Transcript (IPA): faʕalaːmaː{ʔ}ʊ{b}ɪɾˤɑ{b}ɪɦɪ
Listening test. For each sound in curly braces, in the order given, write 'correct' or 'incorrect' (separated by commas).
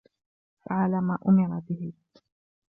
correct, incorrect, correct